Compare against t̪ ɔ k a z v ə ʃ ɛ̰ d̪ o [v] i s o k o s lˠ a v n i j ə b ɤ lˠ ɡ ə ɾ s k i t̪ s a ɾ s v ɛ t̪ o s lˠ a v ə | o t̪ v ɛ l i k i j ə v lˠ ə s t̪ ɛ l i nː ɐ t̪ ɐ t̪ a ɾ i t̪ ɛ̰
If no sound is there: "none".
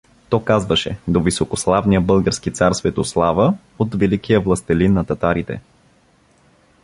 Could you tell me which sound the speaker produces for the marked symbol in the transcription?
v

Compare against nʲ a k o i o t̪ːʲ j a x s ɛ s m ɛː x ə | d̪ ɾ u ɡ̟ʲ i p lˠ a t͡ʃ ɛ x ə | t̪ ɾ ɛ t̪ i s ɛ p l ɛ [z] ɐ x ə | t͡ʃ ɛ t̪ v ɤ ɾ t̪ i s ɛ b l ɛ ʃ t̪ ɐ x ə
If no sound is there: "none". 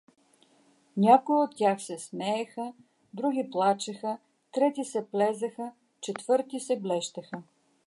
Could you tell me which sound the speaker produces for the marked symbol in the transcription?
z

